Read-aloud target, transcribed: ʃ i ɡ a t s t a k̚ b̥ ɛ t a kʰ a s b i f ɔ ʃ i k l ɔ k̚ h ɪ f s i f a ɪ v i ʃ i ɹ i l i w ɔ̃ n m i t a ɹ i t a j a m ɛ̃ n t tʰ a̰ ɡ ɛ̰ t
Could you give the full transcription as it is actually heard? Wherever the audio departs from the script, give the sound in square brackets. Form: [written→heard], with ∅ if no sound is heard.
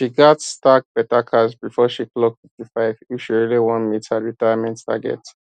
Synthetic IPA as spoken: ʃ i ɡ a t s t a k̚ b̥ ɛ t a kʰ a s b i f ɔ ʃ i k l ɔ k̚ [h→f] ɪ f [s→t] i f a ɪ v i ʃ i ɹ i l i w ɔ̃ n m i t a ɹ i t a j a m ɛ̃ n t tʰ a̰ ɡ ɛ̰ t